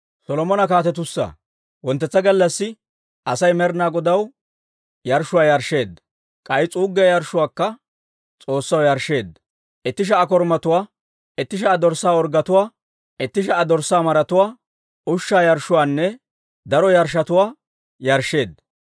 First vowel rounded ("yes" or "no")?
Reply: yes